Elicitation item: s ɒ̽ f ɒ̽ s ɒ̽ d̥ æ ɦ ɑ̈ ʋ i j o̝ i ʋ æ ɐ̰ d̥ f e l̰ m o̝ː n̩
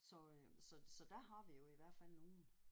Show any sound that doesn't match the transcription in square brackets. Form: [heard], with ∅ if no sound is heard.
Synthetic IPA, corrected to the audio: s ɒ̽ [s] ɒ̽ s ɒ̽ d̥ æ ɦ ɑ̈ ʋ i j o̝ i ʋ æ ɐ̰ d̥ f [æ] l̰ [n] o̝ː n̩